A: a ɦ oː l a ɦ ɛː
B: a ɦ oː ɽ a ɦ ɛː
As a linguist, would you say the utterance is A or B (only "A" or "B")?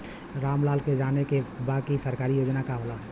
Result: A